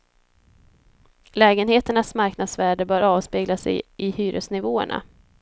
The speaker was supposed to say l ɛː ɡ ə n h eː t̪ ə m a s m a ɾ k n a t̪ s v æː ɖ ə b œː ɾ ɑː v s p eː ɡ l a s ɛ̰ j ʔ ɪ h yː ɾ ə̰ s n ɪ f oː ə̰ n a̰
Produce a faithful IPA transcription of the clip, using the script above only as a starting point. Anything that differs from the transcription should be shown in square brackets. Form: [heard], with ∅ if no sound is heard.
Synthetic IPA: l ɛː ɡ ə n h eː t̪ ə [ɳ] a s m a ɾ k n a [d̪] s v æː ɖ ə b œː ɾ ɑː v s p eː ɡ l a s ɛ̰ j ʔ ɪ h yː ɾ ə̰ s n ɪ [v] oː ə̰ [ɳ] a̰

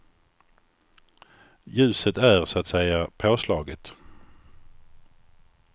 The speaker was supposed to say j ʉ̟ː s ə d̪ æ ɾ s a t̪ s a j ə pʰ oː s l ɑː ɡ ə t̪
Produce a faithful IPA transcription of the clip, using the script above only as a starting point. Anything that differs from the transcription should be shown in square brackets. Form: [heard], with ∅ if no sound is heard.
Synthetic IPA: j ʉ̟ː s ə [t̪] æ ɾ s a t̪ s [ɛ] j [a] pʰ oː s l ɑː ɡ ə t̪

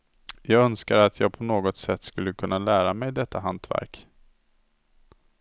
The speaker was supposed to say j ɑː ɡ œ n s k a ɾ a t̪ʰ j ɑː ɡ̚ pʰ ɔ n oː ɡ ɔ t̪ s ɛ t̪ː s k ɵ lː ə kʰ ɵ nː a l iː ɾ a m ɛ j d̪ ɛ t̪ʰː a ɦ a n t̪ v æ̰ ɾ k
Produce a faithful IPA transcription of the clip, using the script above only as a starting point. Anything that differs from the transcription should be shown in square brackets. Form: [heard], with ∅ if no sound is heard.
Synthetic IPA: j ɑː ɡ œ n s k a ɾ a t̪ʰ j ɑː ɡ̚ pʰ ɔ n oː ɡ ɔ t̪ s ɛ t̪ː s k ɵ lː ə kʰ ɵ nː a l [æː] ɾ a m ɛ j d̪ ɛ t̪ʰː a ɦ a n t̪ v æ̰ ɾ k

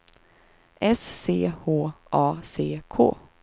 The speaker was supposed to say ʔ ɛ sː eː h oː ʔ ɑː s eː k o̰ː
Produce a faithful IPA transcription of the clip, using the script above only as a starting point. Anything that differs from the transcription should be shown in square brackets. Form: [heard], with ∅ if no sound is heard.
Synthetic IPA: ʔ ɛ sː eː h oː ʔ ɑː s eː [kʰ] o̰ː

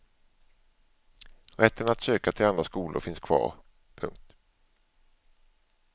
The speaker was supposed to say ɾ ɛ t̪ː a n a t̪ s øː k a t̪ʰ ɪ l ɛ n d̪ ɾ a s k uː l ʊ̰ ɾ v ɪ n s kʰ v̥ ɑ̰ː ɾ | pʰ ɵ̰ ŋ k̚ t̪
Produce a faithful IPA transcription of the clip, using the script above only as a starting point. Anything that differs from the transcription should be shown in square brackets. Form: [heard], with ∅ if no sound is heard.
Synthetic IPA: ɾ ɛ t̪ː [ə] n a t̪ s øː k a t̪ʰ ɪ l [a] n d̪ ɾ a s k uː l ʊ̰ ɾ [f] ɪ n s kʰ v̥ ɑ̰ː ɾ | pʰ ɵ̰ ŋ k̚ t̪

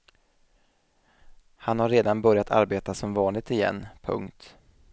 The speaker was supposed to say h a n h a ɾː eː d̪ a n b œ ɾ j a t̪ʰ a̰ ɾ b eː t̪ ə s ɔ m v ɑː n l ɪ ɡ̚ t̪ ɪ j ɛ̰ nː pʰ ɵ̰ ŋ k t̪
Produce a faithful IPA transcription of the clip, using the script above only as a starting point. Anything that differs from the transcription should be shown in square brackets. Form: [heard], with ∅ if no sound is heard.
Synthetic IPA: h a n h a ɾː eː d̪ a n b œ ɾ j a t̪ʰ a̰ ɾ b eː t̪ [a] s ɔ m v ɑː n l ɪ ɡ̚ t̪ ɪ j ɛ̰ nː pʰ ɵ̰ ŋ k t̪

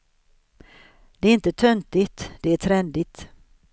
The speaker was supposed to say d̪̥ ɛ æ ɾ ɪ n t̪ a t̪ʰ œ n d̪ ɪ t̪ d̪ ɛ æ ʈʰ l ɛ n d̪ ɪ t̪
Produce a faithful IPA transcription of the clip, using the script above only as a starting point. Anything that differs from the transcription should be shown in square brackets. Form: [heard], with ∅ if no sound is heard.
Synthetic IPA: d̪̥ ɛ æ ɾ ɪ n t̪ [ə] t̪ʰ œ n [t̪] ɪ t̪ d̪ ɛ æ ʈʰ [ɾ] ɛ n d̪ ɪ t̪

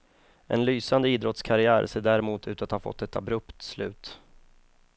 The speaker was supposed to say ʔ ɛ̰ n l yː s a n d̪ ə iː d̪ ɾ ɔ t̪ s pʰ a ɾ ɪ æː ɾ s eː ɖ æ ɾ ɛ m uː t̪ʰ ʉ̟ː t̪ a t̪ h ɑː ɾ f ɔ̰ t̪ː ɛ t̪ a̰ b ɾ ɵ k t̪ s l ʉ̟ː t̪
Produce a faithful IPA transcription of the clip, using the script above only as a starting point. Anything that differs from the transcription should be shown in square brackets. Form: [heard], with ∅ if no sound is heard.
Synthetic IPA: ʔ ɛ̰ n l yː s a n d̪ ə iː d̪ ɾ ɔ t̪ s [kʰ] a ɾ ɪ æː ɾ s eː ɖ æ ɾ ɛ m uː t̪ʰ ʉ̟ː t̪ a t̪ h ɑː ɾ f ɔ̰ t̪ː ɛ t̪ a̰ b ɾ ɵ [p] t̪ s l ʉ̟ː t̪

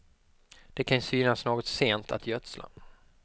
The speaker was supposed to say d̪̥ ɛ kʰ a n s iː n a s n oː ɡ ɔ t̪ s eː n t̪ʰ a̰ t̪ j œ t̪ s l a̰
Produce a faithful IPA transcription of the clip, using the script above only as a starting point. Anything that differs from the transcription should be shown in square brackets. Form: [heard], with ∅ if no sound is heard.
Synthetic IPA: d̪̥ ɛ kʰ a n s [yː] n a s n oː ɡ ɔ t̪ s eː n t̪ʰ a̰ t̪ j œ t̪ s l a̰

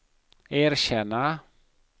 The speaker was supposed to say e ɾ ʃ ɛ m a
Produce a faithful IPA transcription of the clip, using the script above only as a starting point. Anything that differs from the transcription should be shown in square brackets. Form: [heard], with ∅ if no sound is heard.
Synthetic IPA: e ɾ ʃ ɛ [n] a

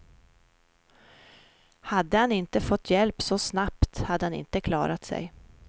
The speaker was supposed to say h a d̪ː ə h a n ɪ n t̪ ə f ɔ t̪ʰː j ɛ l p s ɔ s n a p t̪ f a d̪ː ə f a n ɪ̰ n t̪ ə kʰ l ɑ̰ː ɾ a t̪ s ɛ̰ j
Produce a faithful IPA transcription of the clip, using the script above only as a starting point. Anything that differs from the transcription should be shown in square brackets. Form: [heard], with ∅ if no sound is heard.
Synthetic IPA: h a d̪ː ə h a n ɪ n t̪ ə f ɔ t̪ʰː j ɛ l p s ɔ s n a p t̪ [h] a d̪ː ə [h] a n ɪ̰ n t̪ ə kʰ l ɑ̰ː ɾ a t̪ s ɛ̰ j

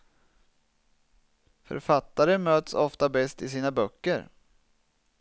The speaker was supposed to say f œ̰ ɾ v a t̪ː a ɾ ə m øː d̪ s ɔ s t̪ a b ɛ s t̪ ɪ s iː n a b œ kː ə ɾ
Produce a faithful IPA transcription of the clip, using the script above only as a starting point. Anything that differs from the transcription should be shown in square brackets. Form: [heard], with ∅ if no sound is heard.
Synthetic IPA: f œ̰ ɾ [f] a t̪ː a ɾ ə m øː [t̪] s ɔ [f] t̪ a b ɛ s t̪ ɪ s iː n a b œ kː ə ɾ

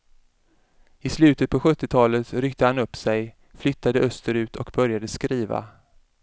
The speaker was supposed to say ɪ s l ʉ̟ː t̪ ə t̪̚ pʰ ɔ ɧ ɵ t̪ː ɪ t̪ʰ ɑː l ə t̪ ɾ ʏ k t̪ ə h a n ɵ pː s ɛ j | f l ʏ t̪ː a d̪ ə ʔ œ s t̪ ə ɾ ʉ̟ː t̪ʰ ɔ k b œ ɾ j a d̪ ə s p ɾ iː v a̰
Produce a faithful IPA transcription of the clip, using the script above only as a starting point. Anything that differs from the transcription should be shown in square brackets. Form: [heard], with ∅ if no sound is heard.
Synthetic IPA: ɪ s l ʉ̟ː t̪ ə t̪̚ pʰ ɔ ɧ ɵ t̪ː ɪ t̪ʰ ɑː l ə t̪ ɾ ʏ k t̪ ə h a n ɵ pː s ɛ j | f l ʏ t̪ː a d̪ ə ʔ œ s t̪ ə ɾ ʉ̟ː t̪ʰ ɔ k b œ ɾ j a d̪ ə s [k] ɾ iː v a̰

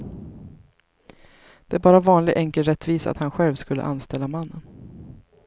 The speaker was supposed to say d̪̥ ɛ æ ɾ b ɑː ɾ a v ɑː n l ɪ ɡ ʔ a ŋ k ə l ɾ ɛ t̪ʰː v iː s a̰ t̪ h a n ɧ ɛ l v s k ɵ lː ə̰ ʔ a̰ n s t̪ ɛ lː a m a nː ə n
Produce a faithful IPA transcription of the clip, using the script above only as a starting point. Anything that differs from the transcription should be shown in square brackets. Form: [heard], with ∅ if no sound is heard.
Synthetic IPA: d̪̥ ɛ æ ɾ b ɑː ɾ a v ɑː n l ɪ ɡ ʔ [ɛ] ŋ k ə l ɾ ɛ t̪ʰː v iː s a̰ t̪ h a n ɧ ɛ l v s k ɵ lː ə̰ ʔ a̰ n s t̪ ɛ lː a m a nː ə n

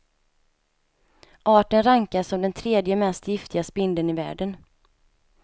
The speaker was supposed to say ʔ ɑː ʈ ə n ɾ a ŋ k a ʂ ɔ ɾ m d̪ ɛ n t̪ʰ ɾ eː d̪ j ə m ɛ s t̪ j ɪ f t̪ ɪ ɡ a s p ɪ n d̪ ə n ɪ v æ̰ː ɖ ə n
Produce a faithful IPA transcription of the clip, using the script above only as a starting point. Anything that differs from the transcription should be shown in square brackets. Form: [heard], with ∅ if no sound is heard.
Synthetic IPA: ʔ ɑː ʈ ə n ɾ a ŋ k a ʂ ɔ [∅] m d̪ ɛ n t̪ʰ ɾ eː d̪ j ə m ɛ s t̪ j ɪ f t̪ ɪ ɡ a s p ɪ n d̪ ə n ɪ v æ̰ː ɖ ə n

